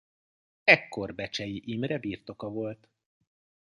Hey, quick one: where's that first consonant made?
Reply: velum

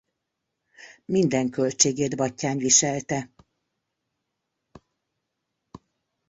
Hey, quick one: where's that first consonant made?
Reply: lips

